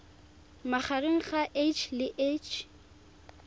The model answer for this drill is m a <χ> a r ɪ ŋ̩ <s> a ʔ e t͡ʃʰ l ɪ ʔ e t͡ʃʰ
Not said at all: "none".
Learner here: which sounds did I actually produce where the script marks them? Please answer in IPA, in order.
χ, χ

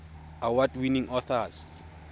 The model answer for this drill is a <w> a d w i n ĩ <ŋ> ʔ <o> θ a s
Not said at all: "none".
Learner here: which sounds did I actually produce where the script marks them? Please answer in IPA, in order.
w, ŋ, ɔ

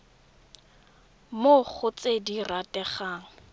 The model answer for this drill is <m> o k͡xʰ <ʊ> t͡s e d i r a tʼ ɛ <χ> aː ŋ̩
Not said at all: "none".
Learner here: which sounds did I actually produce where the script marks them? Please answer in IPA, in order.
m, ʊ, χ

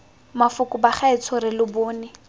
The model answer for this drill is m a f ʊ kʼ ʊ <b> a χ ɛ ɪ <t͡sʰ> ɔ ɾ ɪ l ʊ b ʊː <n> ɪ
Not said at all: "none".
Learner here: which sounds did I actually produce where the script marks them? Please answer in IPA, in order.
b, t͡sʰ, n

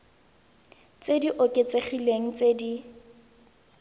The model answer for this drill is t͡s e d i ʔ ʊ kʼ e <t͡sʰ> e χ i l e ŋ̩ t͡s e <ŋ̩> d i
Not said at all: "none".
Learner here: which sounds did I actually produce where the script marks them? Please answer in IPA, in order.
t͡s, none

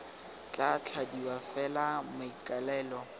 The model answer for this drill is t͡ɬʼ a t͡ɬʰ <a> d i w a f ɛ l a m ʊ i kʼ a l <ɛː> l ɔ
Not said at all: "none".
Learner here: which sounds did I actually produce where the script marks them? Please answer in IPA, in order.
a, ɛː

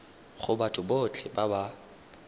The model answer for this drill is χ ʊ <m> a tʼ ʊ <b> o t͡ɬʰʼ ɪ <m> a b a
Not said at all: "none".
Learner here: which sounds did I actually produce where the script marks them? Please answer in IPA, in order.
b, b, b

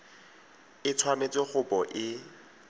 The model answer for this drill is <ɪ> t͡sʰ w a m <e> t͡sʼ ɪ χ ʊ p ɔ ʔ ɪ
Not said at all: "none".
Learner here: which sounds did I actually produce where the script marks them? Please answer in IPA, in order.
ɪ, e

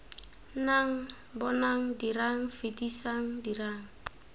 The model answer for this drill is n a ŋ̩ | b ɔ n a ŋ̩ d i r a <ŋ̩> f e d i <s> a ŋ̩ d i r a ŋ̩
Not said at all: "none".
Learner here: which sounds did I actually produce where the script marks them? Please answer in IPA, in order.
ŋ̩, s

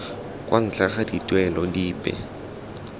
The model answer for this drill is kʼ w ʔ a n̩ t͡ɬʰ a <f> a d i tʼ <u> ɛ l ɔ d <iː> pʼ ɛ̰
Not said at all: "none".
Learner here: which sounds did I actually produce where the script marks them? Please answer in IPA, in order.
χ, w, iː

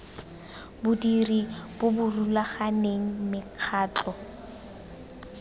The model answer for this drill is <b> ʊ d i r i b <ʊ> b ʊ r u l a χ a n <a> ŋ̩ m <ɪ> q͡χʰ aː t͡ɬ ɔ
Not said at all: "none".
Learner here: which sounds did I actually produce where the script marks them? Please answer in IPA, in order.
b, ʊ, e, ɪ

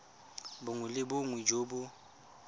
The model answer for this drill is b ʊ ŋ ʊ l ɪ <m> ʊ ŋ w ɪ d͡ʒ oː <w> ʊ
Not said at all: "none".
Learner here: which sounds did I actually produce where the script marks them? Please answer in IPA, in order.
b, b

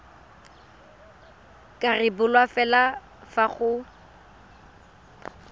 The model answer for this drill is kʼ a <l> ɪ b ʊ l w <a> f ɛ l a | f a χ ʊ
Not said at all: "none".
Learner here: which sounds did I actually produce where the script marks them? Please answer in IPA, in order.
r, a

